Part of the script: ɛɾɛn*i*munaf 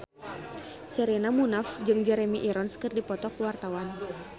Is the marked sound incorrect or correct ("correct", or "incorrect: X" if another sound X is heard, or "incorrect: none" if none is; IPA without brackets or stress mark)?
incorrect: a